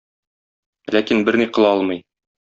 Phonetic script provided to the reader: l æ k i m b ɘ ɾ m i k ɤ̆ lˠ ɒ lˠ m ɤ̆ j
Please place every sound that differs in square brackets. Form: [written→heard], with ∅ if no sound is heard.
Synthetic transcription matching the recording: l æ k i [m→n] b ɘ ɾ [m→n] i [k→q] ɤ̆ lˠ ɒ lˠ m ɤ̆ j